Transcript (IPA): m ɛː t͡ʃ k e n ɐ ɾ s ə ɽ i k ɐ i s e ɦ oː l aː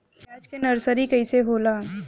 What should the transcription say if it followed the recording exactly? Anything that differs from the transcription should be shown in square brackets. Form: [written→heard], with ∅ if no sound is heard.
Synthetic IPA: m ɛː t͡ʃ k e n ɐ ɾ s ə [ɽ→ɾ] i k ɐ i s e ɦ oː l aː